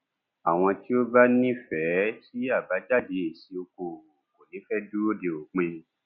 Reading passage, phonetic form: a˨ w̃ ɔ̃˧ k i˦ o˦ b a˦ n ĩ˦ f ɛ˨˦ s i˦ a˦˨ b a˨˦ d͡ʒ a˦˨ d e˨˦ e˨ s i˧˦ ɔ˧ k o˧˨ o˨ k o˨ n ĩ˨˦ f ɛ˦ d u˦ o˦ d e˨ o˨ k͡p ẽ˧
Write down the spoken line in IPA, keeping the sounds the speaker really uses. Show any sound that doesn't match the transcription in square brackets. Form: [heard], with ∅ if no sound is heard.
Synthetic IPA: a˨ w̃ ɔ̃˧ [t] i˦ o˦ b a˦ n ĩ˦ f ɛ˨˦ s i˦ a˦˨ b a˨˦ d͡ʒ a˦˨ d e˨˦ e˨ s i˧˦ [o˧] k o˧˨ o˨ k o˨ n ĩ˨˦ f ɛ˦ d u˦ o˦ d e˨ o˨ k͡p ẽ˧